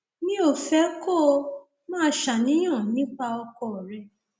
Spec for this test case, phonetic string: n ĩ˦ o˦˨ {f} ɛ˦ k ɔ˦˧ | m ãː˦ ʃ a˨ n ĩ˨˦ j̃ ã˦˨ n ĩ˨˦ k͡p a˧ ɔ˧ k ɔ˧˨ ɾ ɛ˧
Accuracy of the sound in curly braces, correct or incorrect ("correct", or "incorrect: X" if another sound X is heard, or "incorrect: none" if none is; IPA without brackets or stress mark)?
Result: correct